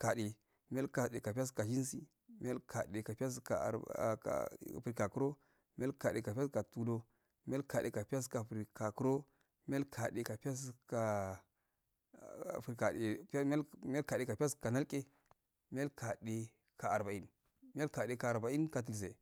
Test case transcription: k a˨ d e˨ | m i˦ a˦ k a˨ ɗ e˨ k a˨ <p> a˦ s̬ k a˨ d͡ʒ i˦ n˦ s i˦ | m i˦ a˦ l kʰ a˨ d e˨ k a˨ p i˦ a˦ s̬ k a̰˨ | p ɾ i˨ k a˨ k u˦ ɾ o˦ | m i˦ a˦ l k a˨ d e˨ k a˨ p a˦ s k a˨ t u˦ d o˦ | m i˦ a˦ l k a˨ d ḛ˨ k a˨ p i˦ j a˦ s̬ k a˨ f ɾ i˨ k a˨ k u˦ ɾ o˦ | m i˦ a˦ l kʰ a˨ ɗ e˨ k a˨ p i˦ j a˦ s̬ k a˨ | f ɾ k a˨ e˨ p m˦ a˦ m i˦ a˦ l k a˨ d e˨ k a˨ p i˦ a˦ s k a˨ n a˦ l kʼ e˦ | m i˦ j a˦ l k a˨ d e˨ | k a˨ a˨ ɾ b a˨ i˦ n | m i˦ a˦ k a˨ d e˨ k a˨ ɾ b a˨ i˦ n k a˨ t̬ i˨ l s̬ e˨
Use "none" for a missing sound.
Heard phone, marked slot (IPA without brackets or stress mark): p